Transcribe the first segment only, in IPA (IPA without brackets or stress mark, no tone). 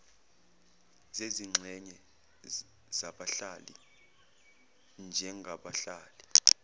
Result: z